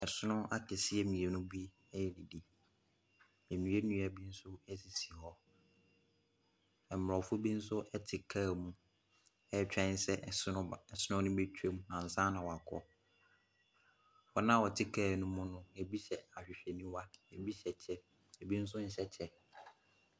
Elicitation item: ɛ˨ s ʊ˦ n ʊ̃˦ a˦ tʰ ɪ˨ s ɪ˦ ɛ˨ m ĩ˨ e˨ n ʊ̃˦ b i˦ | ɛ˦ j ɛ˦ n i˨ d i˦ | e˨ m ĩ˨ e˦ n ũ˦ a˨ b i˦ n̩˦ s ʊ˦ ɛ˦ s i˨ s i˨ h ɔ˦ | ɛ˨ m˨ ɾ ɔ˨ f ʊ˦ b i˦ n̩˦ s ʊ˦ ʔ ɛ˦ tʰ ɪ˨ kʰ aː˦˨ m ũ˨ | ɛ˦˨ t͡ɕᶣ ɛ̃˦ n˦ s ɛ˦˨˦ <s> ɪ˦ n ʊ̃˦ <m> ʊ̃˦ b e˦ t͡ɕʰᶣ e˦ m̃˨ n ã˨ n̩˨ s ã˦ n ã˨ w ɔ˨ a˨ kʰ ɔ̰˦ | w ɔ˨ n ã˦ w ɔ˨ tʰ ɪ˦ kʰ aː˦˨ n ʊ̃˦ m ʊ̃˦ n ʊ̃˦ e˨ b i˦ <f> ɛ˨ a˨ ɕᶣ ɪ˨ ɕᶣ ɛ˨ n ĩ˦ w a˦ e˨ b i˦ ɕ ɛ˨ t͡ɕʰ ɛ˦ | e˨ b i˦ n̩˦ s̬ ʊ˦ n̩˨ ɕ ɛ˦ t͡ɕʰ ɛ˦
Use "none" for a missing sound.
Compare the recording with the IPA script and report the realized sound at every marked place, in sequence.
s, n, ɕ

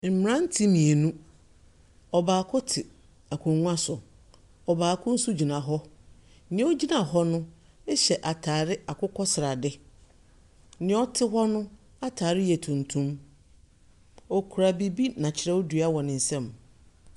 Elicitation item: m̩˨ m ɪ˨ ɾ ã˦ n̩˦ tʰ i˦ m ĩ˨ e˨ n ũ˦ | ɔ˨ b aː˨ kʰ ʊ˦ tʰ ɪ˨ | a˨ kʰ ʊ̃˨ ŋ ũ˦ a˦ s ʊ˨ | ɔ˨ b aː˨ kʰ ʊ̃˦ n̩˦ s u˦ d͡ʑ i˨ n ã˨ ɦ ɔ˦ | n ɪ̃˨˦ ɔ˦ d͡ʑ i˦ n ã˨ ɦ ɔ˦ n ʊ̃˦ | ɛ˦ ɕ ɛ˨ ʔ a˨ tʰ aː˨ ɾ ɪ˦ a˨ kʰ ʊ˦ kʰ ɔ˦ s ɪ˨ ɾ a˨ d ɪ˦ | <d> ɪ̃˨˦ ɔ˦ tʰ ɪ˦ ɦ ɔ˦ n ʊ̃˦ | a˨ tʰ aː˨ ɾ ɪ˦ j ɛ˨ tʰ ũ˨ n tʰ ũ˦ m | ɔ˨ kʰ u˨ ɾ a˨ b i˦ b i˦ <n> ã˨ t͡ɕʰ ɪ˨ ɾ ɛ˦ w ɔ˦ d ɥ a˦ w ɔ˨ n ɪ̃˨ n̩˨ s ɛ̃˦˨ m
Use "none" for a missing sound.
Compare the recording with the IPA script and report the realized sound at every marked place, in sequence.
n, n

